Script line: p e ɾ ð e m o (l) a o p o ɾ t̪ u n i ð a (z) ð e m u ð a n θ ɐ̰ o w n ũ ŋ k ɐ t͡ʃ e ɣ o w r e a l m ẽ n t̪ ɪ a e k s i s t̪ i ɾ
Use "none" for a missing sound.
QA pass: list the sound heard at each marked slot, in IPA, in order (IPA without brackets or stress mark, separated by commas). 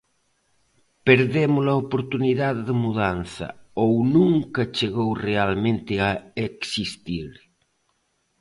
l, ð